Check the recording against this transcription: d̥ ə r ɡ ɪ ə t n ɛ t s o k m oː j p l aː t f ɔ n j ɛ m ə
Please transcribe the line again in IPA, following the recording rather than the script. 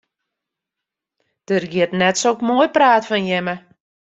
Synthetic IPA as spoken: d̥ ə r ɡ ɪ ə t n ɛ t s o k m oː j p r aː t f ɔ n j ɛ m ə